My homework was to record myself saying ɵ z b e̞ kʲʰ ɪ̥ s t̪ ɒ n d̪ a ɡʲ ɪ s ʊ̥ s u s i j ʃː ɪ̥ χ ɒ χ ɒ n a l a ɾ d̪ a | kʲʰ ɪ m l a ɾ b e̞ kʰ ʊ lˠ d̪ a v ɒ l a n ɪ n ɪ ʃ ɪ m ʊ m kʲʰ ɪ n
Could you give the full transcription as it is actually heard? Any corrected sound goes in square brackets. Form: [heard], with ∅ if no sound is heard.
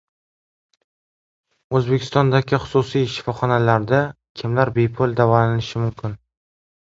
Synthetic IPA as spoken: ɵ z b e̞ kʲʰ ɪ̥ s t̪ ɒ n d̪ a ɡʲ ɪ [χ] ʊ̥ s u s i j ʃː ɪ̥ [f] ɒ χ ɒ n a l a ɾ d̪ a | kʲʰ ɪ m l a ɾ b e̞ [pʰ] ʊ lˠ d̪ a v ɒ l a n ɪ n ɪ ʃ ɪ m ʊ m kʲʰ ɪ n

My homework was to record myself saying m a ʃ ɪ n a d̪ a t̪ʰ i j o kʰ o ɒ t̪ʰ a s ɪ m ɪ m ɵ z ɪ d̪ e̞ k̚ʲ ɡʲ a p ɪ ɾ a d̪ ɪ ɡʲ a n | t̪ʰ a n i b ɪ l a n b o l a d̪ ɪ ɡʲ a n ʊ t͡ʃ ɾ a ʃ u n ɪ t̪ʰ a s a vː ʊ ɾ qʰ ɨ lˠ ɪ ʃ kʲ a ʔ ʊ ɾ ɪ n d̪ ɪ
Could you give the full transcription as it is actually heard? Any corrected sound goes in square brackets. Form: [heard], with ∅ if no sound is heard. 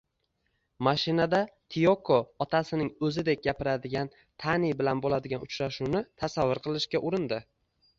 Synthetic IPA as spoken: m a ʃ ɪ n a d̪ a t̪ʰ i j o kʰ o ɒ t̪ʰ a s ɪ [n] ɪ [ŋ] ɵ z ɪ d̪ e̞ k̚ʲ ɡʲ a p ɪ ɾ a d̪ ɪ ɡʲ a n | t̪ʰ a n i b ɪ l a n b o l a d̪ ɪ ɡʲ a n ʊ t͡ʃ ɾ a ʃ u n ɪ t̪ʰ a s a vː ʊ ɾ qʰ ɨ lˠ ɪ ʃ kʲ a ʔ ʊ ɾ ɪ n d̪ ɪ

